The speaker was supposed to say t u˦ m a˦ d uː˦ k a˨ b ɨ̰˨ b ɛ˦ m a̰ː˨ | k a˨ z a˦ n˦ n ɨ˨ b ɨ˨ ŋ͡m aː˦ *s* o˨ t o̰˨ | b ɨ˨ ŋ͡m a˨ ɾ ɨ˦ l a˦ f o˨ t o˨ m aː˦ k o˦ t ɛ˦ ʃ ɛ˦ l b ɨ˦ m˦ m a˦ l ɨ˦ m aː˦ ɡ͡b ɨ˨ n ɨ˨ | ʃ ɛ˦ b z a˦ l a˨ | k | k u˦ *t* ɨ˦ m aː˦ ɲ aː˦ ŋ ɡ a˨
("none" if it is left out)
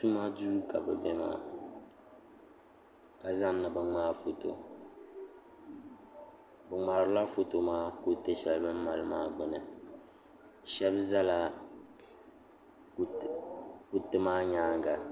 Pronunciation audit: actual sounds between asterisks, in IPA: f, t

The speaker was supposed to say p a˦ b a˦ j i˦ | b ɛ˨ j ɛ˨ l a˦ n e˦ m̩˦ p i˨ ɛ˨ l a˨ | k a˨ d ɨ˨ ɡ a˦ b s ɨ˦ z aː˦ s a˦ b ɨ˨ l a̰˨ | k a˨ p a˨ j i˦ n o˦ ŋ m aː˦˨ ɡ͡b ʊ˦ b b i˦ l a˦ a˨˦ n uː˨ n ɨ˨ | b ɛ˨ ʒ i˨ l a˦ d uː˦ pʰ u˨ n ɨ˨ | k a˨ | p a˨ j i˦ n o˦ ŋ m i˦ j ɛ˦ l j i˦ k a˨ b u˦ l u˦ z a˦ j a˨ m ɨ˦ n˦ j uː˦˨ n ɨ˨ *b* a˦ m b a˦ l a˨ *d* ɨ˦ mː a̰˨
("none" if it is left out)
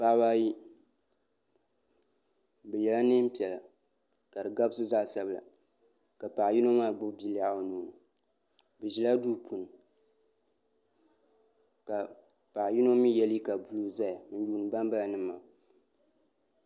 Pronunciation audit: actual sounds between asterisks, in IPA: b, n

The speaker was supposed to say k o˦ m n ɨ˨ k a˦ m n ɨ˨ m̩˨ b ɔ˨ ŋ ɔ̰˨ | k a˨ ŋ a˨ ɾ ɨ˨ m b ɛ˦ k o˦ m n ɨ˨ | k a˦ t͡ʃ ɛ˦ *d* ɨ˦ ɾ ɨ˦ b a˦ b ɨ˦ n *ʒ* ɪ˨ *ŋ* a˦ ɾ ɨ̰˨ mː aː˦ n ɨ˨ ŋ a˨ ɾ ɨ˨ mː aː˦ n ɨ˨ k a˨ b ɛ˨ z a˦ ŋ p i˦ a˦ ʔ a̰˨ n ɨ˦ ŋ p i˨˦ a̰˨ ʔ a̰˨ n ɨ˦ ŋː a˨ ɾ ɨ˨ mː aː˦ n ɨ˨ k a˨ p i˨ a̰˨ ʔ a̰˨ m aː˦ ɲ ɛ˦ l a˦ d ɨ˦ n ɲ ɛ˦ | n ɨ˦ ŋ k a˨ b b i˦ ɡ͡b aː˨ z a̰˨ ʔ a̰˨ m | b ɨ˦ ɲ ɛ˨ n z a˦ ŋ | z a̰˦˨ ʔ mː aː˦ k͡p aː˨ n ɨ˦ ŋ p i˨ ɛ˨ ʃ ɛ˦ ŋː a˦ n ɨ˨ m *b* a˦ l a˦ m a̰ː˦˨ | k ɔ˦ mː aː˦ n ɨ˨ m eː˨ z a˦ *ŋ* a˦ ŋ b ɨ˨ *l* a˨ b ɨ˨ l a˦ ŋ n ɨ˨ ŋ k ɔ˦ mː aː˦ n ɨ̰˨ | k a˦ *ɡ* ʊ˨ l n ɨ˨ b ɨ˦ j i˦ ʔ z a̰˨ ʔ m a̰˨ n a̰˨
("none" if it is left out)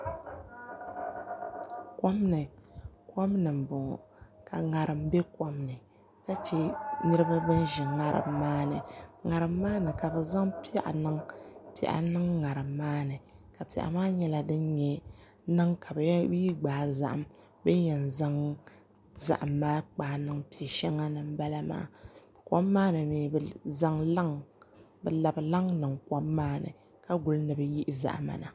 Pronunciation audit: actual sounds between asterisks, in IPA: n, ʒ, ŋ, b, ŋ, l, ɡ

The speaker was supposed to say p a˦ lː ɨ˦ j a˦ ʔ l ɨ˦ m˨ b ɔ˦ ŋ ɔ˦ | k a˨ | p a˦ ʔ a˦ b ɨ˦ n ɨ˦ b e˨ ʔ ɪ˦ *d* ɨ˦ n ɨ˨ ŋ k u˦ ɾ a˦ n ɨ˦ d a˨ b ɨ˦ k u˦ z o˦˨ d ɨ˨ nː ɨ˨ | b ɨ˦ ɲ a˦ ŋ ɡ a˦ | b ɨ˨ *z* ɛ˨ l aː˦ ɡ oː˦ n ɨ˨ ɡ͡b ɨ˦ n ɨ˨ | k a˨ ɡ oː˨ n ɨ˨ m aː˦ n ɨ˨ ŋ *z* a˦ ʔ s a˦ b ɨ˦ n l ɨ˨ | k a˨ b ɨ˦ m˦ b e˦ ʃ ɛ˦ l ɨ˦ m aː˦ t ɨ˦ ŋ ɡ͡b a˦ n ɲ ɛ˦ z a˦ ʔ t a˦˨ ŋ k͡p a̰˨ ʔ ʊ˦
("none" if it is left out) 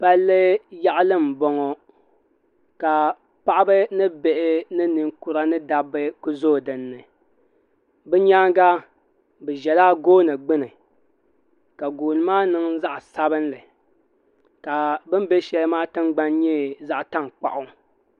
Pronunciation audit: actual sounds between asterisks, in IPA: n, ʒ, z

